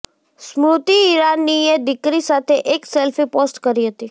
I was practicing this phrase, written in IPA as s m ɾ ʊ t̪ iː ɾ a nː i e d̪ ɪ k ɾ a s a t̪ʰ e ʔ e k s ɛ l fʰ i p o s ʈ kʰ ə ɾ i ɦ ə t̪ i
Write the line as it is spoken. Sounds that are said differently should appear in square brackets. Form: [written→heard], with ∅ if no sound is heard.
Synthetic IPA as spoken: s m ɾ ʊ t̪ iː ɾ a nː i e d̪ ɪ k ɾ [a→i] s a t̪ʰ e ʔ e k s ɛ l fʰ i p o s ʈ [kʰ→k] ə ɾ i ɦ ə t̪ i